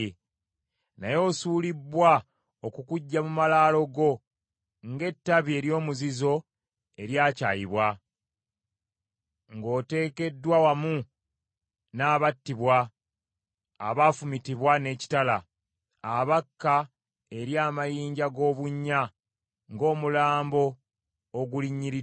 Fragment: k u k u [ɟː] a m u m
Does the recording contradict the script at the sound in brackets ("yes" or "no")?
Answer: no